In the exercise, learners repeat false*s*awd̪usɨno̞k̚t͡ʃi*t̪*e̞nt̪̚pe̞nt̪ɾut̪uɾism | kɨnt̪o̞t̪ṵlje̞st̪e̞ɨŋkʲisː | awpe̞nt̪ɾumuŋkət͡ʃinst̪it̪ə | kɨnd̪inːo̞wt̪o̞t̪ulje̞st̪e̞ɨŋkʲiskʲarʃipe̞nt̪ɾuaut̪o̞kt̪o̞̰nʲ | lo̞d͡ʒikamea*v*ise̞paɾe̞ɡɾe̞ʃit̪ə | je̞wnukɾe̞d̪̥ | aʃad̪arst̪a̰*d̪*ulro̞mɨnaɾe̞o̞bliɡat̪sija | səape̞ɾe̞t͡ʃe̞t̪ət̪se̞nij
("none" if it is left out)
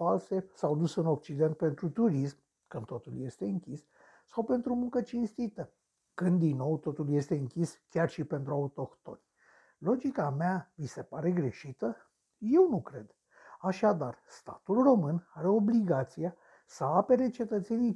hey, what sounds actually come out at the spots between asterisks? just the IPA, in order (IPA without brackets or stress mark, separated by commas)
s, d̪, v, t̪